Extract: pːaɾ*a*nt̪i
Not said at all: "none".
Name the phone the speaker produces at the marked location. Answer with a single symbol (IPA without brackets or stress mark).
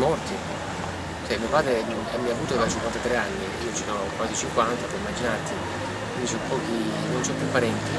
ɛ